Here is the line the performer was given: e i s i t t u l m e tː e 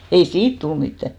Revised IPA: e i s iː t t u l m i tː æ